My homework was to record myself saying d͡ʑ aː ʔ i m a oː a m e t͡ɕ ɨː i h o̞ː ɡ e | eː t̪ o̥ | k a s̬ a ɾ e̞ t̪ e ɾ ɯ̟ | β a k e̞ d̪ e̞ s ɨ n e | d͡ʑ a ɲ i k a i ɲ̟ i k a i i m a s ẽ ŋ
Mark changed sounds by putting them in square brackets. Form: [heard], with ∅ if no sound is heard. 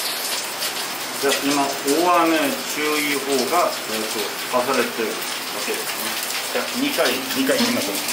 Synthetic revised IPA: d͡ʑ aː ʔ i m a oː a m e t͡ɕ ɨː i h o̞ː ɡ [a] | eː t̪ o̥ | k a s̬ a ɾ e̞ t̪ e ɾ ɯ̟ | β a k e̞ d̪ e̞ s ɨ n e | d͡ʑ a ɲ i k a i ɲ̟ i k a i i m a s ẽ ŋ